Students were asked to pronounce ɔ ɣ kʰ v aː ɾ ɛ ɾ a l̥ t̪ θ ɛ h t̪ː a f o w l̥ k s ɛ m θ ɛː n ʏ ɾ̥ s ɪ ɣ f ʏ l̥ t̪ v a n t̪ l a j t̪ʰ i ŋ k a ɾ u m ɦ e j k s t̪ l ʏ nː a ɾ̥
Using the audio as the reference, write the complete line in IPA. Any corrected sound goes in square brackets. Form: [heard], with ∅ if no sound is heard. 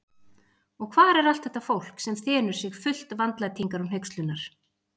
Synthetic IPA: ɔ ɣ kʰ v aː ɾ ɛ ɾ a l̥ t̪ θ ɛ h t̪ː a f o w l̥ k s ɛ m θ ɛː n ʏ ɾ̥ s ɪ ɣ f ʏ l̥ t̪ v a n t̪ l a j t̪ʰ i ŋ k a ɾ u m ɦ e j k s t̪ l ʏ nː a ɾ̥